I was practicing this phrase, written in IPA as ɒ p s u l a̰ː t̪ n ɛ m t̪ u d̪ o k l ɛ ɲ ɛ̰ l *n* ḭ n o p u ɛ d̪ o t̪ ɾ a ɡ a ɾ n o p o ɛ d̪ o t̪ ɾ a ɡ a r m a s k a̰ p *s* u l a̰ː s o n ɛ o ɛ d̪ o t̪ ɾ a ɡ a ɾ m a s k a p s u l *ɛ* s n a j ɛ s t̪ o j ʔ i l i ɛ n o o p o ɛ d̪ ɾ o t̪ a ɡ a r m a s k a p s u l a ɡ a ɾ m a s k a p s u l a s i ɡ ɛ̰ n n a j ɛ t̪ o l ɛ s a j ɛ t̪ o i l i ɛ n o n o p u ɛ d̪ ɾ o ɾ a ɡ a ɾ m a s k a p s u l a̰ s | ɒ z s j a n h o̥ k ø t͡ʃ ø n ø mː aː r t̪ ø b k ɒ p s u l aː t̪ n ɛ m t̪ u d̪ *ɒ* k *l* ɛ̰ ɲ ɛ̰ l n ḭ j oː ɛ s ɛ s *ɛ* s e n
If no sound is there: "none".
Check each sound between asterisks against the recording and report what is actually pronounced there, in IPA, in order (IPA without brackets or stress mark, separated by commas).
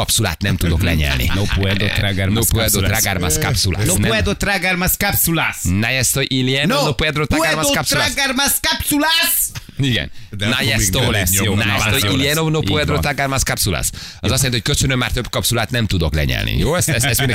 n, s, a, o, l, ɛ